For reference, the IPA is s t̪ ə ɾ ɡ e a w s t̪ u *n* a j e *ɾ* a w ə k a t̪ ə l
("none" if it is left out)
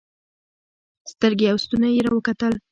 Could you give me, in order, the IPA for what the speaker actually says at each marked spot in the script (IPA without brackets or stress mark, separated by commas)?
n, ɾ